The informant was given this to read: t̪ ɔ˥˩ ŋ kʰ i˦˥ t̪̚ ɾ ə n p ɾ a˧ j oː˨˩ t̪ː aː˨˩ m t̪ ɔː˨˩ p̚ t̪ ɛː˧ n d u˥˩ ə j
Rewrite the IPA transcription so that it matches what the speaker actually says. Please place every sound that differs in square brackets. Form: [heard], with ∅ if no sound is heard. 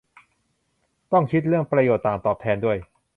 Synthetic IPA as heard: t̪ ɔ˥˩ ŋ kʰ i˦˥ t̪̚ ɾ ə [ŋ] p ɾ a˧ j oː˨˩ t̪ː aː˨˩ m t̪ ɔː˨˩ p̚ [t̪ʰ] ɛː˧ n d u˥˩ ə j